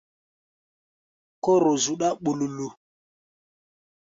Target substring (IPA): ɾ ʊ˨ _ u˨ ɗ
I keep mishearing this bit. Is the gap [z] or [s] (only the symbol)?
z